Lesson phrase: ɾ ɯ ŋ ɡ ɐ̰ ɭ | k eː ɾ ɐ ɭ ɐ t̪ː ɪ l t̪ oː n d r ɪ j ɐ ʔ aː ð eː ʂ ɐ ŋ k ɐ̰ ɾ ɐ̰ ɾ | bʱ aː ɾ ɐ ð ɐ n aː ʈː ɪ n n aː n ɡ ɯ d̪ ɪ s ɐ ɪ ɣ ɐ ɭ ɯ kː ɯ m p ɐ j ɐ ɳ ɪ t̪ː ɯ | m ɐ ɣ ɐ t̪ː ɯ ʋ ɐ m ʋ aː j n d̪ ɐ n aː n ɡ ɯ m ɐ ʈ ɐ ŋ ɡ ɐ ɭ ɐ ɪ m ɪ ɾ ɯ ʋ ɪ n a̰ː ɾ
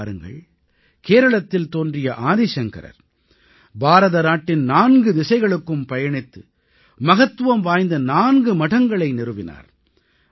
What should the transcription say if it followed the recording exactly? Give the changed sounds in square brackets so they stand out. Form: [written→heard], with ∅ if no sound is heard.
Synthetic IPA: ɾ ɯ ŋ ɡ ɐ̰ ɭ | k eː ɾ ɐ ɭ ɐ t̪ː ɪ l t̪ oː n d r ɪ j ɐ ʔ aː ð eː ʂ ɐ ŋ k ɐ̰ ɾ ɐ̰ ɾ | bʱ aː ɾ ɐ ð ɐ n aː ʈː ɪ n n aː n ɡ ɯ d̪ ɪ s ɐ ɪ ɣ ɐ ɭ ɯ kː ɯ m p ɐ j ɐ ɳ ɪ t̪ː ɯ | m ɐ ɣ ɐ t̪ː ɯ ʋ ɐ m ʋ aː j n d̪ ɐ n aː n ɡ ɯ m ɐ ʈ ɐ ŋ ɡ ɐ ɭ ɐ ɪ [m→n] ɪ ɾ ɯ ʋ ɪ n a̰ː ɾ